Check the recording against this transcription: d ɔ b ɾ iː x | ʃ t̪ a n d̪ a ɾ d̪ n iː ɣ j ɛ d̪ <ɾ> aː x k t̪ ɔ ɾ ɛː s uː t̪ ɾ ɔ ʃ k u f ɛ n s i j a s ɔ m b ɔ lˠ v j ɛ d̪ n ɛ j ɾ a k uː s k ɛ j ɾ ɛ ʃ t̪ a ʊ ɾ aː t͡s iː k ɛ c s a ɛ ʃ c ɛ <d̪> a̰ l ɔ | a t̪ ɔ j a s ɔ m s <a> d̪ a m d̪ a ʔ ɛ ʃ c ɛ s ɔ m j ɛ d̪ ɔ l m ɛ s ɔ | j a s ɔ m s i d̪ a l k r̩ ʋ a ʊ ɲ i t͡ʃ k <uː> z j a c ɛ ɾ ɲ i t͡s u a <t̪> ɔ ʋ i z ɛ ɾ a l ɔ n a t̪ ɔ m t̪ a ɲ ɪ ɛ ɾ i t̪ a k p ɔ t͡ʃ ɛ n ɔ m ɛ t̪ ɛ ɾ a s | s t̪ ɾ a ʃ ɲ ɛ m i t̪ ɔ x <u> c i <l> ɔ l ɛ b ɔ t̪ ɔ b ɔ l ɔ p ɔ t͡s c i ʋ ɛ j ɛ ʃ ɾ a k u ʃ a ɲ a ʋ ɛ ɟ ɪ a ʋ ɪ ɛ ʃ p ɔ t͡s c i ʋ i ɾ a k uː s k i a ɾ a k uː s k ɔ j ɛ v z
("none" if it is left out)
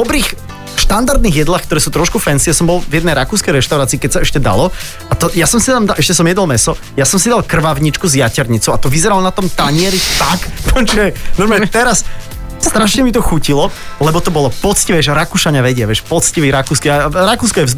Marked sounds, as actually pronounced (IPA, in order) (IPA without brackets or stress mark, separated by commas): l, d̪, i, u, t̪, u, l